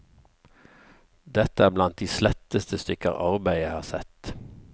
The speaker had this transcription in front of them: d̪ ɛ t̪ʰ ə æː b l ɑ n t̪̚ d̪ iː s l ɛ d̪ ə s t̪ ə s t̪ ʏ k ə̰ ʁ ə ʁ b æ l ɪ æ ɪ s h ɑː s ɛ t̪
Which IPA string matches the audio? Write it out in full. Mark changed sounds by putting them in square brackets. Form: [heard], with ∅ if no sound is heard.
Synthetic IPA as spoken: d̪ ɛ [t̪] ə æː b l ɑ n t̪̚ d̪ iː s l ɛ [t̪] ə s t̪ ə s t̪ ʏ k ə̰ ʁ [ɑ] ʁ b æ [∅] ɪ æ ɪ [∅] h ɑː s ɛ t̪